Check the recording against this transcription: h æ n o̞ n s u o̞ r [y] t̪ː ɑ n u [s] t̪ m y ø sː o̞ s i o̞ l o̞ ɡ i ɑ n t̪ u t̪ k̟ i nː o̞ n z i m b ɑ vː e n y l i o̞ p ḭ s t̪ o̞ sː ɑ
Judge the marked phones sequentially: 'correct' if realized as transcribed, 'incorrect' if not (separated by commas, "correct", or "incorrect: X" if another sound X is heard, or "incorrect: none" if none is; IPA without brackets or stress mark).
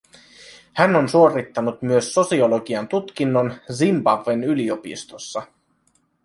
incorrect: i, incorrect: none